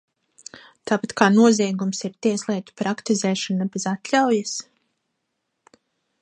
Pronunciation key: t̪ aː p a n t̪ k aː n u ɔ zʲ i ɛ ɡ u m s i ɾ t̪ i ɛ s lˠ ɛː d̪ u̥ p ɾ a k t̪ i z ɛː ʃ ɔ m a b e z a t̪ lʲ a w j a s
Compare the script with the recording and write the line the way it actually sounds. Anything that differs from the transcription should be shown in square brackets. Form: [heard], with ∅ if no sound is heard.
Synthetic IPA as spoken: t̪ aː p a [∅] t̪ k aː n u ɔ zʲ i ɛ ɡ u m s i ɾ t̪ i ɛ s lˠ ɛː [t̪] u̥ p ɾ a k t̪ i z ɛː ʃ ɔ [n] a b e z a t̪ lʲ a w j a s